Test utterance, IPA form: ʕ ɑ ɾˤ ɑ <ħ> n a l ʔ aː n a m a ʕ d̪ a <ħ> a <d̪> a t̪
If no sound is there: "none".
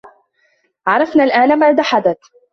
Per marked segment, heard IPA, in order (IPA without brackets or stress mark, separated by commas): f, ħ, d̪